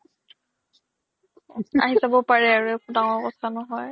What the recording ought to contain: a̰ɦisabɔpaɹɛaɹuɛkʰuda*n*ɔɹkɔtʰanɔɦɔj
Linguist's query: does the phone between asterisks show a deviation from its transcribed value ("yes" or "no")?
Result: yes